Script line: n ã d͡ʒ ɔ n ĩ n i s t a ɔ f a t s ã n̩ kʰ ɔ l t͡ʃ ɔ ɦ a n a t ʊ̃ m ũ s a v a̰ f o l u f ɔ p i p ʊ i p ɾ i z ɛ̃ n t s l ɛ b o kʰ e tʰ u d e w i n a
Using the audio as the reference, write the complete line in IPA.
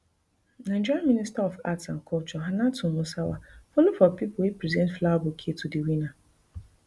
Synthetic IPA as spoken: n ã d͡ʒ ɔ m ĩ n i s t a ɔ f a t s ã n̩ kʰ ɔ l t͡ʃ ɔ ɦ a n a t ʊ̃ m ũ s a w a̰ f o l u f ɔ p i p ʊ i p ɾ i z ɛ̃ n t f l a b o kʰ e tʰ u d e w i n a